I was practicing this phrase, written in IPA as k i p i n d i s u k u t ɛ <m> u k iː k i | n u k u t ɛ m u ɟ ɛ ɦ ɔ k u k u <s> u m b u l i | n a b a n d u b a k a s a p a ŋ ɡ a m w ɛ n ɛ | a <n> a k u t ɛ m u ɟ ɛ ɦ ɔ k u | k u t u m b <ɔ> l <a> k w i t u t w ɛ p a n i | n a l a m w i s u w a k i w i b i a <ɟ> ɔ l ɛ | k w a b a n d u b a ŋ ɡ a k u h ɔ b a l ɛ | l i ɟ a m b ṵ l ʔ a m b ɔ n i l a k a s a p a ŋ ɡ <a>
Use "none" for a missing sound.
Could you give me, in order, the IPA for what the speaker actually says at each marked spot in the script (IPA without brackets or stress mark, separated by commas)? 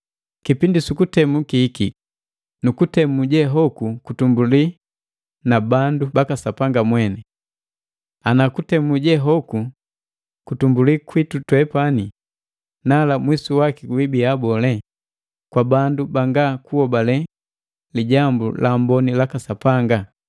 m, t, n, u, i, b, a